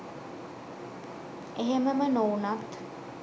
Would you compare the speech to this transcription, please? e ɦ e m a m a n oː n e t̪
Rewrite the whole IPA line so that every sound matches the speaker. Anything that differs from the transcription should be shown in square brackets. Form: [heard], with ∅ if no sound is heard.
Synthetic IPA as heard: e ɦ e m [ə] m [ə] n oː n [a] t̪